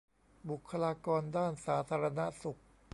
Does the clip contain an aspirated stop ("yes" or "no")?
yes